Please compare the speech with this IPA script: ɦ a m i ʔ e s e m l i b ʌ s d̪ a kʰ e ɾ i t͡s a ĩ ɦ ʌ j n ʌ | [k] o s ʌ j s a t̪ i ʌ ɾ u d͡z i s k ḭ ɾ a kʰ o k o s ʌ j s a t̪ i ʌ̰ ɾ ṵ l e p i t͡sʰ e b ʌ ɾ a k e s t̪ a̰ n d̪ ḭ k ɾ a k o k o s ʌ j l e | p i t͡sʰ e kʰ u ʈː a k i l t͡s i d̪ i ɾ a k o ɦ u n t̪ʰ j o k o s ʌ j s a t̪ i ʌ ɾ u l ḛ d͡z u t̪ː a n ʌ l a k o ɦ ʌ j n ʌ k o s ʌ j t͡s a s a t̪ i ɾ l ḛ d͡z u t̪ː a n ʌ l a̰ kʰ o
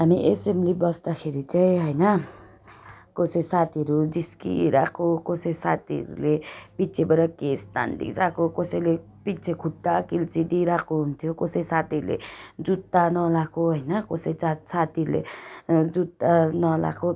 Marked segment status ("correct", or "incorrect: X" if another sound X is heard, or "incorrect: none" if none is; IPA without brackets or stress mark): correct